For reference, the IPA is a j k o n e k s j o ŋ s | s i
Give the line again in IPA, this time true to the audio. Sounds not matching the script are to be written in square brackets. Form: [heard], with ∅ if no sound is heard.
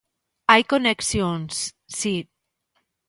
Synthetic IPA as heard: a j k o n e k s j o [n] s | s i